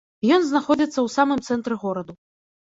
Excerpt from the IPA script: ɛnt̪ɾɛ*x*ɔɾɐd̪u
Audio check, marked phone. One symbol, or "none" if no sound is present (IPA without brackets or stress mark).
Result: ɣ